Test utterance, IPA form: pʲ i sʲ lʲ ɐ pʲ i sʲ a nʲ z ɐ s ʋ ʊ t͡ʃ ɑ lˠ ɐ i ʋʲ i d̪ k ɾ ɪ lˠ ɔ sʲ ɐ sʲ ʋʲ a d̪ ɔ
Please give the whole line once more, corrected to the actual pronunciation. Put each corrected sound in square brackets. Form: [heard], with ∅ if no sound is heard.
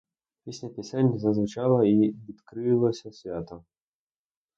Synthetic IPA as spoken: pʲ i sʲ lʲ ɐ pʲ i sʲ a nʲ z ɐ [z] ʋ ʊ t͡ʃ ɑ lˠ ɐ i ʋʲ i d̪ k ɾ ɪ lˠ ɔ sʲ ɐ sʲ ʋʲ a [t̪] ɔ